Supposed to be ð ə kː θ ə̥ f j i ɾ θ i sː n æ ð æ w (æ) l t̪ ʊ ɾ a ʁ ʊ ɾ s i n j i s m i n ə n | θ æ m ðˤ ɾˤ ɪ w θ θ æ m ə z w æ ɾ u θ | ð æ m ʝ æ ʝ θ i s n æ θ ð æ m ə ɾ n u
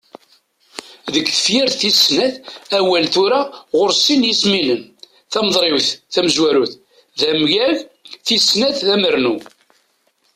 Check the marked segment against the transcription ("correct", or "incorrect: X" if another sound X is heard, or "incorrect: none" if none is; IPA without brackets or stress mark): correct